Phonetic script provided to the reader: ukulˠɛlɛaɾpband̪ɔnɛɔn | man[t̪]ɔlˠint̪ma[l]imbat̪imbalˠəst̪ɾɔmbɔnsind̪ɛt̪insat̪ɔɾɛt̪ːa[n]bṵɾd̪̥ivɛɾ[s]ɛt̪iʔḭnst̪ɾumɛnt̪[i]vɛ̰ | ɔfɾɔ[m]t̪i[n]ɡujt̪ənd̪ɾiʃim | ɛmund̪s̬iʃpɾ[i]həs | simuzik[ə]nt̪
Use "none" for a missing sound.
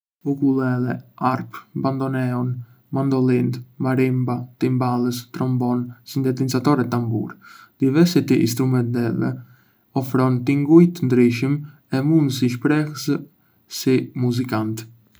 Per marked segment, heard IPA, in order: d̪, ɾ, m, s, ɛ, n, ŋ, ɛ, a

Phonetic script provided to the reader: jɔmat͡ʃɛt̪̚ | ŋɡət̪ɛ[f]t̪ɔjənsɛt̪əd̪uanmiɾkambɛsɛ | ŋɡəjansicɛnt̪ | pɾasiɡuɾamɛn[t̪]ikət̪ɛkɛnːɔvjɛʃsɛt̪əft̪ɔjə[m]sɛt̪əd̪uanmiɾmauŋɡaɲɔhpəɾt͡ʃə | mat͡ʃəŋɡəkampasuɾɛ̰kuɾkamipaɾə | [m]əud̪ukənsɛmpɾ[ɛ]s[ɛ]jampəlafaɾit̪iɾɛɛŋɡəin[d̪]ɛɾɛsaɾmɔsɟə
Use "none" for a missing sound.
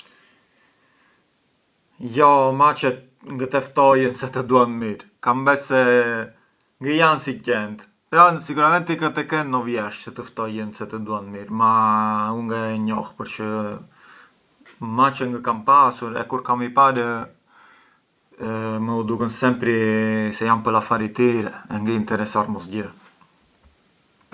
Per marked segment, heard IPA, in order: f, t̪, n, m, i, ɛ, t̪

